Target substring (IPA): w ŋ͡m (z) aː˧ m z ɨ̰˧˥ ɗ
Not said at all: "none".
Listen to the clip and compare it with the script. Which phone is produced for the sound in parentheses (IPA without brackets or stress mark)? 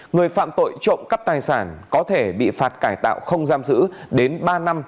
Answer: z